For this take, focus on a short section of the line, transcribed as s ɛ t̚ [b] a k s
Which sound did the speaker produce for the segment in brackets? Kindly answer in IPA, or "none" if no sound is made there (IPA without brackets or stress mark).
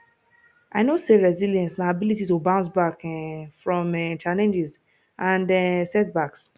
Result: b